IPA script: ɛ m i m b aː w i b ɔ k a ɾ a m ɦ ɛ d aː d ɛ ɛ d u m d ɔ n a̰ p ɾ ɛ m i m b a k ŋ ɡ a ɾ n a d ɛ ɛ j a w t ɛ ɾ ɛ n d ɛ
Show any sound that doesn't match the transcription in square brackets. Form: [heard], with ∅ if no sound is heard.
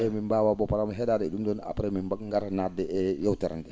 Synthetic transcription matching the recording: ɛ m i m b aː w [a] b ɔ [p] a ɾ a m ɦ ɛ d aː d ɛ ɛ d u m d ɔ n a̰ p ɾ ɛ m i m b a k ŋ ɡ a ɾ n a d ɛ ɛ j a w t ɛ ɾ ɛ n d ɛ